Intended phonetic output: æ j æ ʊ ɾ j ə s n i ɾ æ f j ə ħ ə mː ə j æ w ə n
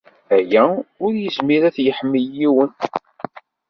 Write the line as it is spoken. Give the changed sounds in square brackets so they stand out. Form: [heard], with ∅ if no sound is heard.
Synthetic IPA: æ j æ ʊ ɾ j ə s [m] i ɾ æ [θ] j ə ħ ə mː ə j [i] w ə n